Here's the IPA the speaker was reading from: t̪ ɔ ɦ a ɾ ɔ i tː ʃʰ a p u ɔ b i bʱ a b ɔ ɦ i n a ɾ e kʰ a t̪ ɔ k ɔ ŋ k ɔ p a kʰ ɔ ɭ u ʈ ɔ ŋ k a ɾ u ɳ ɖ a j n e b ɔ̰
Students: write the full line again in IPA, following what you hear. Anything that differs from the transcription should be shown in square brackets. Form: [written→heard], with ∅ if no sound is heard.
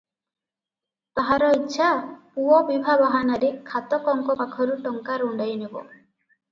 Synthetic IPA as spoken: t̪ ɔ ɦ a ɾ ɔ i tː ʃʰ a p u ɔ b i bʱ a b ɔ ɦ [i→a] n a ɾ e kʰ a t̪ ɔ k ɔ ŋ k ɔ p a kʰ ɔ [ɭ→ɾ] u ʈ ɔ ŋ k a ɾ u ɳ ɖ a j n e b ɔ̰